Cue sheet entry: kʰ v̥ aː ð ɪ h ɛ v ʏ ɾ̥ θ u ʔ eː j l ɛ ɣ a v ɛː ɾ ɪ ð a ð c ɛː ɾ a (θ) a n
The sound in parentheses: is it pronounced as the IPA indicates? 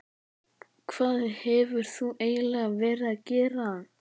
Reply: no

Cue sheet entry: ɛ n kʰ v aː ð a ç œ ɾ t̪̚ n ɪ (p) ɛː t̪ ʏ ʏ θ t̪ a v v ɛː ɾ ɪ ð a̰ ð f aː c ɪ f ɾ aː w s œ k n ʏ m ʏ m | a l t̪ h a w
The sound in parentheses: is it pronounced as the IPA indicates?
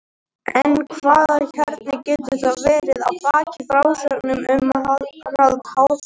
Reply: no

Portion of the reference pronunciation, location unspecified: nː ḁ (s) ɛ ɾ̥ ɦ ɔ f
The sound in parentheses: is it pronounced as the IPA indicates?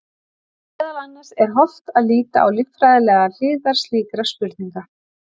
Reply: yes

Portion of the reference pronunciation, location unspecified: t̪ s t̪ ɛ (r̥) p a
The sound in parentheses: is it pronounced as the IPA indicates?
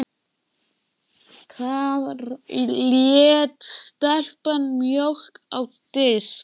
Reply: yes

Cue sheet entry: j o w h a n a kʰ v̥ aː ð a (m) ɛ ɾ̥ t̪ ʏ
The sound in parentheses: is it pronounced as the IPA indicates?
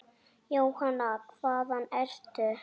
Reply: no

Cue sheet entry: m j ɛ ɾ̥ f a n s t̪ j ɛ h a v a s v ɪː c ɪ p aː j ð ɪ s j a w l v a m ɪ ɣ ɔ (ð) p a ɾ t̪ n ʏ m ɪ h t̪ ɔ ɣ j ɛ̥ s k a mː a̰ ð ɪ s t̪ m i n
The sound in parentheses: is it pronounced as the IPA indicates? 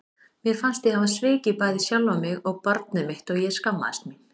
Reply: no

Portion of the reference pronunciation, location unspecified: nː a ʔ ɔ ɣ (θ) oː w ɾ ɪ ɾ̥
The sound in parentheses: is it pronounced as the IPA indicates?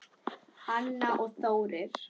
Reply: yes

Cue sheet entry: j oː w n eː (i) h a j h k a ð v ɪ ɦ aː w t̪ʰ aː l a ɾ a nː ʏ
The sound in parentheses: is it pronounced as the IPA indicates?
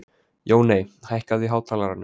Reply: no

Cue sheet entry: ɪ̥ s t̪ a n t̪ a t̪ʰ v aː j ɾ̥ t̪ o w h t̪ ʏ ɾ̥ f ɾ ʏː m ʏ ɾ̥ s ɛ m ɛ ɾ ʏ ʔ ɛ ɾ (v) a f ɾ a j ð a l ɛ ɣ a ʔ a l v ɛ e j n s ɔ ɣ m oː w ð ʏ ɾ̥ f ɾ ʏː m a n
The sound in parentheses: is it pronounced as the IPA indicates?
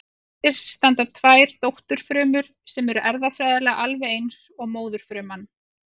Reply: no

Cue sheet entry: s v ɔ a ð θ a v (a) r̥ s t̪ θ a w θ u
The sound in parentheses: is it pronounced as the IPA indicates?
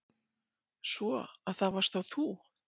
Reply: yes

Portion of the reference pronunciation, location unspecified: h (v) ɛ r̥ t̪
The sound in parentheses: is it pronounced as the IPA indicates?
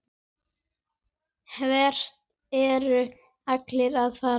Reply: yes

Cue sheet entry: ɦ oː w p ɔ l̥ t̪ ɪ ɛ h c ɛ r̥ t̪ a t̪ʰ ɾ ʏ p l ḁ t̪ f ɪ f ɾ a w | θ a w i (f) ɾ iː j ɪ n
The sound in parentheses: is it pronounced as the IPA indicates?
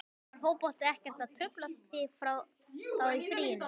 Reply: yes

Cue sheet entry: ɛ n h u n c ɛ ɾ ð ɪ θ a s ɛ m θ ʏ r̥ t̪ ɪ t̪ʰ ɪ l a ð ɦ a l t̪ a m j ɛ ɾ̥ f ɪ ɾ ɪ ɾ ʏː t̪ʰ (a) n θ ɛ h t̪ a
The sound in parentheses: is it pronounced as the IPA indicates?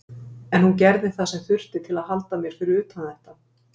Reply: yes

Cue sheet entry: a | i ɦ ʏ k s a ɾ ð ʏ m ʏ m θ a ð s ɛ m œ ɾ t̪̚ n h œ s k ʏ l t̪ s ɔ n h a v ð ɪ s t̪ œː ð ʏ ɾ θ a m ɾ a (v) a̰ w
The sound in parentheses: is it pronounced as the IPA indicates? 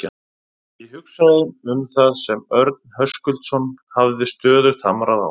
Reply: no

